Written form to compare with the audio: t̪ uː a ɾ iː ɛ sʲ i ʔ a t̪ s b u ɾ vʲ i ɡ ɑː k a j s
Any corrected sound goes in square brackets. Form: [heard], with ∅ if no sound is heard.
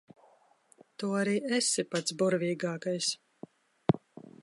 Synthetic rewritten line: t̪ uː a ɾ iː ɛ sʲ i [p] a t̪ s b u ɾ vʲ [iː] ɡ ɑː k a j s